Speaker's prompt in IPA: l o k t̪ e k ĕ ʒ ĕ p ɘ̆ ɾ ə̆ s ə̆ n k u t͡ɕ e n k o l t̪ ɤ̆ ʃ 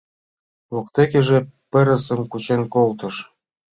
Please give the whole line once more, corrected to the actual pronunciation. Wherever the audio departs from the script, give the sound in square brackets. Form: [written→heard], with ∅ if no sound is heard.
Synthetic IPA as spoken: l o k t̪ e k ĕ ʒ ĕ p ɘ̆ ɾ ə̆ s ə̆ [n→m] k u t͡ɕ e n k o l t̪ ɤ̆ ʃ